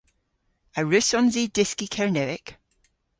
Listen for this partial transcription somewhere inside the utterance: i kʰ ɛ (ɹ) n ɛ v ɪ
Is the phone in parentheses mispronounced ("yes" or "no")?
no